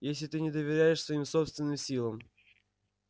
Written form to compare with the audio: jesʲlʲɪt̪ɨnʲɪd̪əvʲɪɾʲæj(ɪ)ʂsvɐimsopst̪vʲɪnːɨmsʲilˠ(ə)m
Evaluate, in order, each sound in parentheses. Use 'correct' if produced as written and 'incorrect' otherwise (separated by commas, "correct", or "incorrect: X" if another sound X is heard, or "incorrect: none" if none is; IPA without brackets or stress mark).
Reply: correct, correct